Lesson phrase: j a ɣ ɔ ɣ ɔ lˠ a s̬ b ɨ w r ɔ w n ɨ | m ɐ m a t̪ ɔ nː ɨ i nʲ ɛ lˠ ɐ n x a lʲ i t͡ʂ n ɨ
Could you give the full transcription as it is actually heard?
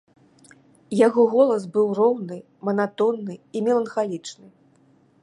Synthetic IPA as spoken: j a ɣ ɔ ɣ ɔ lˠ ɐ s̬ b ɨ w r ɔ w n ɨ | m ɐ n a t̪ ɔ nː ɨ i mʲ ɛ lˠ ɐ n x a lʲ i t͡ʂ n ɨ